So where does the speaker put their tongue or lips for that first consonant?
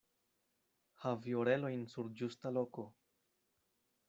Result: throat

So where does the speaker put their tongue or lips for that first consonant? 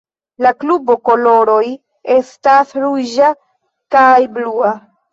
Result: tongue tip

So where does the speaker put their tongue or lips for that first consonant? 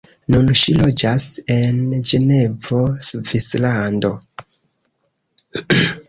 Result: tongue tip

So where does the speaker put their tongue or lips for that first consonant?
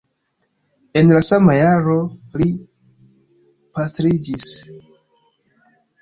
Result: tongue tip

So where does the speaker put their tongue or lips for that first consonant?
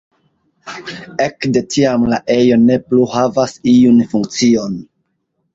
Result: velum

